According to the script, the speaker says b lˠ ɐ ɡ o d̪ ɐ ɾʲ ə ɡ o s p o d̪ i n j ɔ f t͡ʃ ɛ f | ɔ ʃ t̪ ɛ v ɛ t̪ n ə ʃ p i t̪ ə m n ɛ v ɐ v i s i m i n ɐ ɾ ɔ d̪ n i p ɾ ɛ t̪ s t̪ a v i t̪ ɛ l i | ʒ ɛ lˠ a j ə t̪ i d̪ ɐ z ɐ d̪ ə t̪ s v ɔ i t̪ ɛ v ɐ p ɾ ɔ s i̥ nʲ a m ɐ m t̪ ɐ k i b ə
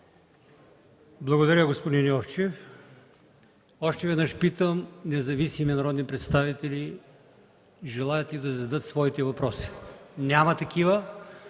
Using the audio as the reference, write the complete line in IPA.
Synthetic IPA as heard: b lˠ ɐ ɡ o d̪ ɐ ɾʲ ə ɡ o s p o d̪ i n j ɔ f t͡ʃ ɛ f | ɔ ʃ t̪ ɛ v ɛ d̪ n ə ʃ p i t̪ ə m n ɛ z ɐ v i s i m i n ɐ ɾ ɔ d̪ n i p ɾ ɛ t̪ s t̪ a v i t̪ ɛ l i | ʒ ɛ lˠ a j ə t̪ i d̪ ɐ z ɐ d̪ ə t̪ s v ɔ i t̪ ɛ v ɐ p ɾ ɔ s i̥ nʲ a m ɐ t̪ ɐ k i v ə